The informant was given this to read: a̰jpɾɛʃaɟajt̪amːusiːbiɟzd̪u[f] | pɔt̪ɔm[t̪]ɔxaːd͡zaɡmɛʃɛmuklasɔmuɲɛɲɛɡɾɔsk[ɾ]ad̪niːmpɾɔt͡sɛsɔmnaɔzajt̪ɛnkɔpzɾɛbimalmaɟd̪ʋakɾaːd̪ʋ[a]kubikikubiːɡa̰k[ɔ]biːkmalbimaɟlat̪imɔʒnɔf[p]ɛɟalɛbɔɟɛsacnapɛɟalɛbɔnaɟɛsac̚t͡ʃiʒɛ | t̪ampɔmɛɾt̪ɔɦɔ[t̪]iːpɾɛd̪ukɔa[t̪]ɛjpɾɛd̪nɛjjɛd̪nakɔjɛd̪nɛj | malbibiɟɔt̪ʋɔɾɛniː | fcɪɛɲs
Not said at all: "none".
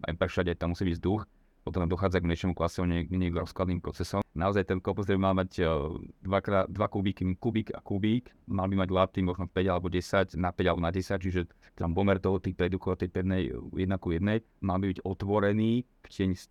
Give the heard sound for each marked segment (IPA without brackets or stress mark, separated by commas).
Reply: x, d̪, l, a, u, p, t̪, t̪